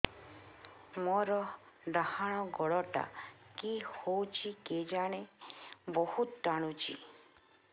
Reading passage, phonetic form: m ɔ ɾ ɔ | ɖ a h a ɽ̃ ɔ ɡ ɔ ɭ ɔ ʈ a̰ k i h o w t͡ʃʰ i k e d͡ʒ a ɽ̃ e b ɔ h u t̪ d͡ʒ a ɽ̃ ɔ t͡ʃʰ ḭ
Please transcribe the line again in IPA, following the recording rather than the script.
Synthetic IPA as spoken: m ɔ ɾ ɔ | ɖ a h a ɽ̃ ɔ ɡ ɔ ɭ ɔ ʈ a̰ k i h o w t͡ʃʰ i k e d͡ʒ a ɽ̃ e b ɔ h u t̪ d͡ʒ a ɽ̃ u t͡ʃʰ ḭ